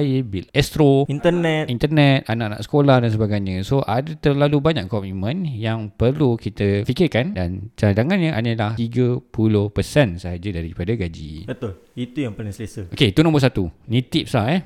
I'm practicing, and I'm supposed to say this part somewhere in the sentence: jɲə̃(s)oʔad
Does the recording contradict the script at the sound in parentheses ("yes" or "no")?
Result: no